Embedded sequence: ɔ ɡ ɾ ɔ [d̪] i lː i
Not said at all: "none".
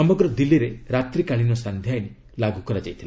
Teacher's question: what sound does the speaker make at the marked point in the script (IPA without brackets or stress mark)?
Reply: d̪